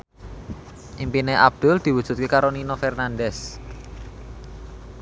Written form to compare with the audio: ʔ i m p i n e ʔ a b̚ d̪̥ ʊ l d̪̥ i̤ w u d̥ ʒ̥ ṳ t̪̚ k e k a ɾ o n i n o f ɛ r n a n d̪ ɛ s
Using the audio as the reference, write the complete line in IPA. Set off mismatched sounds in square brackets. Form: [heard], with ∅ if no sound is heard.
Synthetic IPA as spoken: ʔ i m p i n e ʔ a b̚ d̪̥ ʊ l d̪̥ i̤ w u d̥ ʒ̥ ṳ t̪̚ k e k a ɾ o n i n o f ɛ r n a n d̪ ɛ s